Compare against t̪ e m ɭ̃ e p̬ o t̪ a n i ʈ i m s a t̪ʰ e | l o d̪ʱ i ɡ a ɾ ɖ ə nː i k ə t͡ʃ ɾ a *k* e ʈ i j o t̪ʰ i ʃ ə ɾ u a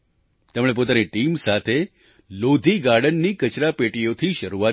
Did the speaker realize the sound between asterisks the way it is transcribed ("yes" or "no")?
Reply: no